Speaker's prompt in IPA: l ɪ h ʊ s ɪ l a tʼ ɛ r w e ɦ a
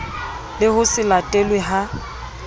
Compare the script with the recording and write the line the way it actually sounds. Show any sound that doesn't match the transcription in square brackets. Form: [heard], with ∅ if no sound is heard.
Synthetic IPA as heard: l ɪ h ʊ s ɪ l a tʼ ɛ [l] w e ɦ a